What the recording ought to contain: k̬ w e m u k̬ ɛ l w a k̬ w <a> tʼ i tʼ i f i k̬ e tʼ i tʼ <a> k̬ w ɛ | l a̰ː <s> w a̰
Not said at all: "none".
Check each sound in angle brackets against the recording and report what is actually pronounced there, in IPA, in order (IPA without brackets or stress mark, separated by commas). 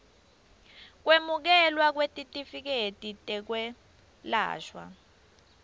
e, ɛ, ʃ